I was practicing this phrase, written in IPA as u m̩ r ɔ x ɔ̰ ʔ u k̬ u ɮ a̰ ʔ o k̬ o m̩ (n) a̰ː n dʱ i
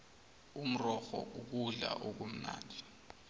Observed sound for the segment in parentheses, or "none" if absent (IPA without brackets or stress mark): n